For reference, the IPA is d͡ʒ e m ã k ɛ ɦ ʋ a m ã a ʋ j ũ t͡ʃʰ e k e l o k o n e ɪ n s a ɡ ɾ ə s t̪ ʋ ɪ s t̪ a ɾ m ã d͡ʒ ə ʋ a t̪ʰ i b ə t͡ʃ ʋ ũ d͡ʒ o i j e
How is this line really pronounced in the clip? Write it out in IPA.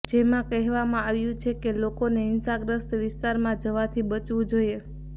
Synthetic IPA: d͡ʒ e m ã k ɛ ɦ ʋ a m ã a ʋ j ũ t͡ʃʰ e k e l o k o n e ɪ n s a ɡ ɾ ə s t̪ ʋ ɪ s t̪ a ɾ m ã d͡ʒ ə ʋ a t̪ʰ i b ə t͡ʃ ʋ ũ d͡ʒ o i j e